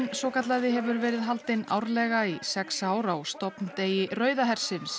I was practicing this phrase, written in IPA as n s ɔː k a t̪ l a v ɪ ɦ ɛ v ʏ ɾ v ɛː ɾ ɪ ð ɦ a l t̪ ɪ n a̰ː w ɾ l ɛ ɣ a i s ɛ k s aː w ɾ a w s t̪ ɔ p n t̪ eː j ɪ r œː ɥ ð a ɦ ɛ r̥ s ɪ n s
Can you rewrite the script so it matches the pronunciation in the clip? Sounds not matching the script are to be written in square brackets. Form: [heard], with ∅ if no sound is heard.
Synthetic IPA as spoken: n s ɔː k a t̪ l a [ð] ɪ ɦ ɛ v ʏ ɾ v ɛː ɾ ɪ ð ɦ a l t̪ ɪ n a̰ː w ɾ l ɛ ɣ a i s ɛ k s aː w ɾ a w s t̪ ɔ p n t̪ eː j ɪ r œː ɥ ð a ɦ ɛ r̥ s ɪ n s